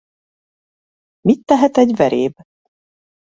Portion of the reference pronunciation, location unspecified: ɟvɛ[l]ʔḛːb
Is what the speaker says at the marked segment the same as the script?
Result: no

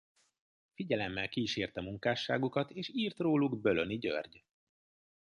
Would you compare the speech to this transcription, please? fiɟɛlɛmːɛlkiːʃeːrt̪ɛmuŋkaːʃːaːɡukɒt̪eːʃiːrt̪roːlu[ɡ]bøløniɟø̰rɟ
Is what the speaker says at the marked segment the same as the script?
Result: yes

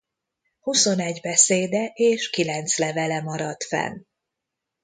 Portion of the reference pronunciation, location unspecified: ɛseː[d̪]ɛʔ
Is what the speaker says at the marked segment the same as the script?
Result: yes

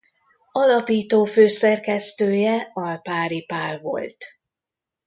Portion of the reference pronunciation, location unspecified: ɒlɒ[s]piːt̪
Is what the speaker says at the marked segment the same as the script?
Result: no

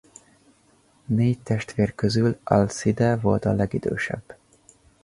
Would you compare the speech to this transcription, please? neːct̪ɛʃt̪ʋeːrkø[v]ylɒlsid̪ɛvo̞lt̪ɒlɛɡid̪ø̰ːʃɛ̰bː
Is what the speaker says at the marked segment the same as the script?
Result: no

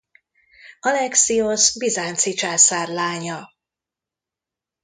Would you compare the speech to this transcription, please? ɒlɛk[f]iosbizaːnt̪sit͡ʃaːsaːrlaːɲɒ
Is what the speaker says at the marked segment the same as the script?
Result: no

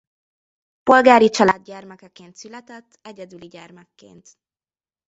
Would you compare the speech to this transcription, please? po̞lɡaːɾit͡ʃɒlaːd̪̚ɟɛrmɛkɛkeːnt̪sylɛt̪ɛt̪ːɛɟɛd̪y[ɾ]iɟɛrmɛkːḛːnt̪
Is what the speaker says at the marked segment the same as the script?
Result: no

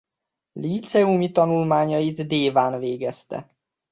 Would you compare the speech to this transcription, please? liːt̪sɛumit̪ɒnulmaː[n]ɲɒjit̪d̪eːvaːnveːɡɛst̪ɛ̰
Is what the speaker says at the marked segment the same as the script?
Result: no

